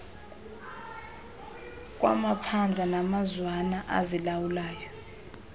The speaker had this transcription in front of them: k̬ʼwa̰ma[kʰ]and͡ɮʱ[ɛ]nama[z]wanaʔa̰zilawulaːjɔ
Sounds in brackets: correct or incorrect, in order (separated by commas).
incorrect, incorrect, correct